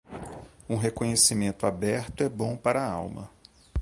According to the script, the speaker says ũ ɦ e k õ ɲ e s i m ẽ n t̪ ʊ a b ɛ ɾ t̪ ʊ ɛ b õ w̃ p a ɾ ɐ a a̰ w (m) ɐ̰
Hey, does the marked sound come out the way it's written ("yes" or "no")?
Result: yes